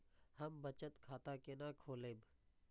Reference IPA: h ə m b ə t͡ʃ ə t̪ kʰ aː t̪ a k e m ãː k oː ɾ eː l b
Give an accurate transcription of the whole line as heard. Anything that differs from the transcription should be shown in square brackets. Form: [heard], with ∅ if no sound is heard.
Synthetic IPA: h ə m b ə t͡ʃ ə t̪ kʰ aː t̪ a k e [n] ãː [kʰ] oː [l] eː [∅] b